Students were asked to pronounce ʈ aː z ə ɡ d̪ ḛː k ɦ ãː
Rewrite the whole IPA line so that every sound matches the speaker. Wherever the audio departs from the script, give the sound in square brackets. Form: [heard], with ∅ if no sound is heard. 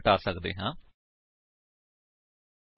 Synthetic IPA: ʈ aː [s] ə [k] d̪ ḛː [∅] ɦ ãː